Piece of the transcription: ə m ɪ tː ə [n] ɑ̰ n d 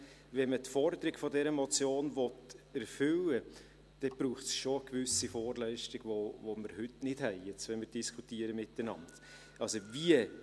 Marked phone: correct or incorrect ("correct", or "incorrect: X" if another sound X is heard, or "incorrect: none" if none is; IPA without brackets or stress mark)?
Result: correct